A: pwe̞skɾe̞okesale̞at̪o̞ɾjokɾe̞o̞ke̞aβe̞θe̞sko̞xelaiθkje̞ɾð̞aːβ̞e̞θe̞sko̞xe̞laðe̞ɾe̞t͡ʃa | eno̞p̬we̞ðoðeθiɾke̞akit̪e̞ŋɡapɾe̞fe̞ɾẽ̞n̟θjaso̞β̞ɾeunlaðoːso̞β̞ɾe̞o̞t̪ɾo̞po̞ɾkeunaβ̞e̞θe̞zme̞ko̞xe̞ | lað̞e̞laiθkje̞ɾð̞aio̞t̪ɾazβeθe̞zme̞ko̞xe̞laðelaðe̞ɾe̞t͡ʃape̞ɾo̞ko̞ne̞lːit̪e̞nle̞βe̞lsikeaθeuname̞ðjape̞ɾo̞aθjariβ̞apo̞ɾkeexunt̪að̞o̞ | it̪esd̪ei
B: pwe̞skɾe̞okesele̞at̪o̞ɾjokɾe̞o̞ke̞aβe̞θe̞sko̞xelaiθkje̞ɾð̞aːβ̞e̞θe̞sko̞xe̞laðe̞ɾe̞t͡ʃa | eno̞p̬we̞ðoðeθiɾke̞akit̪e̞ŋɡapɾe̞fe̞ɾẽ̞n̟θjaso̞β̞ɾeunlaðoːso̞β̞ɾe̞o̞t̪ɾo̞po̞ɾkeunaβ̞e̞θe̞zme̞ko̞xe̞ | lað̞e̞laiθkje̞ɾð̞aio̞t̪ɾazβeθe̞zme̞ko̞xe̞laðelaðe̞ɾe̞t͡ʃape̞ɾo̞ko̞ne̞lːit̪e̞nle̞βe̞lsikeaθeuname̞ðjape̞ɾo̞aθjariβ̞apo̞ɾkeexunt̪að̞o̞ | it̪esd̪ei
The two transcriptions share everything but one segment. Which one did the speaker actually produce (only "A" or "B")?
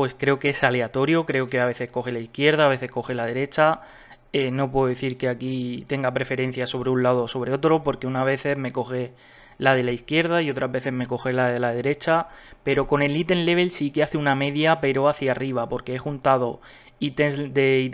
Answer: A